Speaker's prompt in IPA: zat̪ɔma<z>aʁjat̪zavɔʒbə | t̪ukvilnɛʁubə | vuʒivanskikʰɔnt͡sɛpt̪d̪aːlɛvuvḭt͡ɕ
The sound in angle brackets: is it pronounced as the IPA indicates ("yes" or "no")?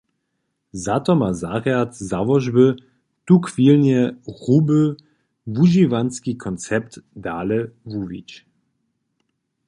yes